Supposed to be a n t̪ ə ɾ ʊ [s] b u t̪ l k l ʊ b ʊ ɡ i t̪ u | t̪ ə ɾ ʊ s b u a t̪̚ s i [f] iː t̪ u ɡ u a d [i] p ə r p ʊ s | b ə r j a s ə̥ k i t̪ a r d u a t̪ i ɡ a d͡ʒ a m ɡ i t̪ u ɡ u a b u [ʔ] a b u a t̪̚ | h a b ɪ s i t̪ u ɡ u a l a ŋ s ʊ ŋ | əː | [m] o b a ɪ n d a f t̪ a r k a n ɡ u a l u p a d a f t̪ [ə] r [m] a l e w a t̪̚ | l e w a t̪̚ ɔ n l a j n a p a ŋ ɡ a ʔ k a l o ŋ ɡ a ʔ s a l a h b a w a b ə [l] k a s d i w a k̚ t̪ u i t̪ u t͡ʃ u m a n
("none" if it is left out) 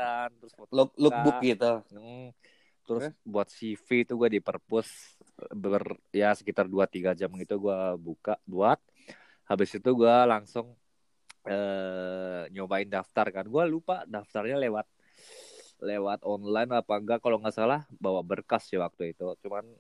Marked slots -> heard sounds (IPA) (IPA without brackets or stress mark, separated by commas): s, f, i, k, ɲ, a, ɲ, r